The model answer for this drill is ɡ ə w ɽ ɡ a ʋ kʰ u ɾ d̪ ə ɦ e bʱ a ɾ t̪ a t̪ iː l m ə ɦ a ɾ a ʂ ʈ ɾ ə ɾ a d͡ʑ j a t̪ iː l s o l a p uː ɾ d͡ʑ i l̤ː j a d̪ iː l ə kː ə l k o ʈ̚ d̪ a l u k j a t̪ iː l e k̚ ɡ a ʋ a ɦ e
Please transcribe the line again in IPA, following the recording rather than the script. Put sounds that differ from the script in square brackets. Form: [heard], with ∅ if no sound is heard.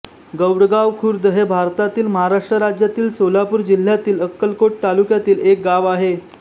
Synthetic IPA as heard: ɡ ə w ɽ ɡ a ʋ kʰ u ɾ d̪ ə ɦ e bʱ a ɾ t̪ a t̪ iː l m ə ɦ a ɾ a ʂ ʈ ɾ ə ɾ a d͡ʑ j a t̪ iː l s o l a p uː ɾ d͡ʑ i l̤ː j a [t̪] iː l ə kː ə l k o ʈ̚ [t̪] a l u k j a t̪ iː l e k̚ ɡ a ʋ a ɦ e

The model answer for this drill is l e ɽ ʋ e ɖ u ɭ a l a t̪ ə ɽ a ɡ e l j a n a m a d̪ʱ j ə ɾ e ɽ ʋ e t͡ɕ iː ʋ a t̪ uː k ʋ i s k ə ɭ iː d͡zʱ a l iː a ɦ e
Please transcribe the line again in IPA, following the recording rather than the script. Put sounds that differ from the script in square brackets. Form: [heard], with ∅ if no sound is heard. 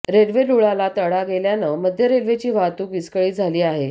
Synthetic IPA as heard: [ɾ] e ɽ ʋ e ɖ u ɭ a l a t̪ ə ɽ a ɡ e l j a n [ə] m [ə] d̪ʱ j ə ɾ e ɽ ʋ e t͡ɕ iː ʋ a t̪ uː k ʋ i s k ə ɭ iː d͡zʱ a l iː a ɦ e

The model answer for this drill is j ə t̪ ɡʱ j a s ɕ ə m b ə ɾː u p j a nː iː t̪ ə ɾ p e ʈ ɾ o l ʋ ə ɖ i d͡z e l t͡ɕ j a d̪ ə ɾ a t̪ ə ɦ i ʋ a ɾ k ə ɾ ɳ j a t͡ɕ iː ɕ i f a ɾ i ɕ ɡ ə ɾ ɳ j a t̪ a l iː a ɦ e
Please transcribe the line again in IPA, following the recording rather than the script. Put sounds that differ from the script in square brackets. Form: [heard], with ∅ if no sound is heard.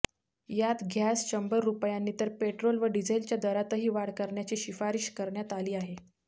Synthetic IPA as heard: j [a] t̪ ɡʱ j a s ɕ ə m b ə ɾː u p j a nː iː t̪ ə ɾ p e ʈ ɾ o l ʋ ə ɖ i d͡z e l t͡ɕ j a d̪ ə ɾ a t̪ ə ɦ [iː] ʋ a [ɽ] k ə ɾ ɳ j a t͡ɕ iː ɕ i f a ɾ i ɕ [k] ə ɾ ɳ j a t̪ a l iː a ɦ e

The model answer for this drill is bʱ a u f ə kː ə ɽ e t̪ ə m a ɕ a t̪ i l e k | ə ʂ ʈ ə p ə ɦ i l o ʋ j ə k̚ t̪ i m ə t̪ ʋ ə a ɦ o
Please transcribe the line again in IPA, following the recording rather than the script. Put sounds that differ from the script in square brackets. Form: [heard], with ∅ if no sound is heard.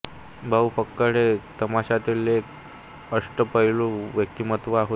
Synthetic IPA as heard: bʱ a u f ə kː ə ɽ e t̪ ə m a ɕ a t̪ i l e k | ə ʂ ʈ ə p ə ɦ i l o ʋ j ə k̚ t̪ i m ə t̪ ʋ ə a ɦ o

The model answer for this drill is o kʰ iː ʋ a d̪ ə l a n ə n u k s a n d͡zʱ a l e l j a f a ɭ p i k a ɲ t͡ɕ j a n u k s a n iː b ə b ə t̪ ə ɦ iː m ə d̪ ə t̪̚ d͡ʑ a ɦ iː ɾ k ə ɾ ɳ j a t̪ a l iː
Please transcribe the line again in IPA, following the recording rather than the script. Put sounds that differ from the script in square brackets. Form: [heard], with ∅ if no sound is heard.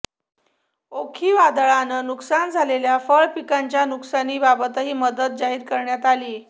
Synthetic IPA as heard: o kʰ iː ʋ a d̪ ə [ɭ] a n ə n u k s a n d͡zʱ a l e l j a f [ə] ɭ p i k a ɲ t͡ɕ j a n u k s a n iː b [a] b ə t̪ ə ɦ iː m ə d̪ ə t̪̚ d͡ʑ a ɦ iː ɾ k ə ɾ ɳ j a t̪ a l iː

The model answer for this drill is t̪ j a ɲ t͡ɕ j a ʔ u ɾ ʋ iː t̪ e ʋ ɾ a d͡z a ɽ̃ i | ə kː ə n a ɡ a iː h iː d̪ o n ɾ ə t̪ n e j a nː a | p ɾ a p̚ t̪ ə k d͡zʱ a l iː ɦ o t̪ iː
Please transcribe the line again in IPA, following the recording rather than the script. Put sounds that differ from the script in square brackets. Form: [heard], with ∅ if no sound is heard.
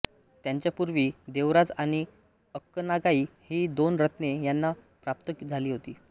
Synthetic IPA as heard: t̪ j a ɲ t͡ɕ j a [p] u ɾ ʋ iː [d̪] e ʋ ɾ a d͡z a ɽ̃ i | ə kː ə n a ɡ a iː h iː d̪ o n ɾ ə t̪ n e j a nː a | p ɾ a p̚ t̪ ə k d͡zʱ a l iː ɦ o t̪ iː

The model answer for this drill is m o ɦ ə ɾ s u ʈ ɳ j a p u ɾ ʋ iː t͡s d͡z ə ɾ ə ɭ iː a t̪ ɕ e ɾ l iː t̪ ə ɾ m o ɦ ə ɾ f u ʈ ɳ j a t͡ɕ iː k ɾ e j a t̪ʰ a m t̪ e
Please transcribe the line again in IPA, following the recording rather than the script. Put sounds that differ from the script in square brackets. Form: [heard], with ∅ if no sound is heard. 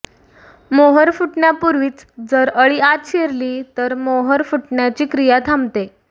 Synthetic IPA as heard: m o ɦ ə ɾ [f] u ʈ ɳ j a p u ɾ ʋ iː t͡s d͡z ə ɾ ə ɭ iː a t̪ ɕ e ɾ l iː t̪ ə ɾ m o ɦ ə ɾ f u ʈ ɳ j a t͡ɕ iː k ɾ [i] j a t̪ʰ a m t̪ e

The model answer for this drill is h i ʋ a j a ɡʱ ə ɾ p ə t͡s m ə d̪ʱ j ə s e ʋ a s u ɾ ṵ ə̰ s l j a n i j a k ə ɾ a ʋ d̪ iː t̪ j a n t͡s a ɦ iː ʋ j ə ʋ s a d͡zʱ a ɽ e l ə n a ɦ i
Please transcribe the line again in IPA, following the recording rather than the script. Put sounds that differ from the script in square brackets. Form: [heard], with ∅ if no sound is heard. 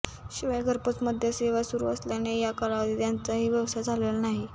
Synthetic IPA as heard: [ɕ] i ʋ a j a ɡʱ ə ɾ p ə t͡s m ə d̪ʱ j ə s e ʋ a s u ɾ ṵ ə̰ s l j a n [e] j a k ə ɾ a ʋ d̪ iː t̪ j a n t͡s a ɦ iː ʋ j ə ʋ s a d͡zʱ a [l] e l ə n a ɦ i

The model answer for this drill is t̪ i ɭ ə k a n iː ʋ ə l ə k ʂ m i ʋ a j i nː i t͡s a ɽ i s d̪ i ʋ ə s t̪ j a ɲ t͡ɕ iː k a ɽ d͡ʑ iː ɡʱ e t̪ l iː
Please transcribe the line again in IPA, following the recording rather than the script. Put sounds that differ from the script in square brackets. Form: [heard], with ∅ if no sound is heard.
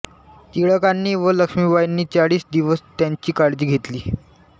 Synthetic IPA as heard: t̪ i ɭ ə k a [nː] iː ʋ ə l ə k ʂ m i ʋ a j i nː [iː] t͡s a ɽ [iː] s d̪ i ʋ ə s t̪ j a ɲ t͡ɕ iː k a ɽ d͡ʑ iː ɡʱ e t̪ l iː

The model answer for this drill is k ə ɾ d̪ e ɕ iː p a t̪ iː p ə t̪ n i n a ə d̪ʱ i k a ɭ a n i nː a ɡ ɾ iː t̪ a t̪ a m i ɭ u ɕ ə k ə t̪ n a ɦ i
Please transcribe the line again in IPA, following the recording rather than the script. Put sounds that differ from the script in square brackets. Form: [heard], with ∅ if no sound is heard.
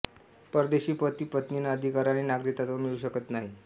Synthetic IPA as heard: [p] ə ɾ d̪ e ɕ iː p [ə] t̪ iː p ə t̪ n i n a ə d̪ʱ i k a [ɾ] a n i [n] a ɡ ɾ [i] t̪ a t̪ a m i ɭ u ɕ ə k ə t̪ n a ɦ i

